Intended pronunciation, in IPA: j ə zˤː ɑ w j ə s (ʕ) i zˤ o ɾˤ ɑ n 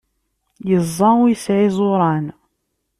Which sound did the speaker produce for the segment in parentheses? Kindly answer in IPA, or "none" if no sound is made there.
ʕ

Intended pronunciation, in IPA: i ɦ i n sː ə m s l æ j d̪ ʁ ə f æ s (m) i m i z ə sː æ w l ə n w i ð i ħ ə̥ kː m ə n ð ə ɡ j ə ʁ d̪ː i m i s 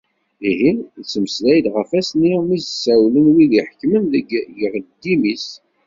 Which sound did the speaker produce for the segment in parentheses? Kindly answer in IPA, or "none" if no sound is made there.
n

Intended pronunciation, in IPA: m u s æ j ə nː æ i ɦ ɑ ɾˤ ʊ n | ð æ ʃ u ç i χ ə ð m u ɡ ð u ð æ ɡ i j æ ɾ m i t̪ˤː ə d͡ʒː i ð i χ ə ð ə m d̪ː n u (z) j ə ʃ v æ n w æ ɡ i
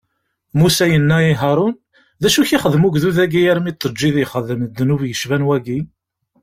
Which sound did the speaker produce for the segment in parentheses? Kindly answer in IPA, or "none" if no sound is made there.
v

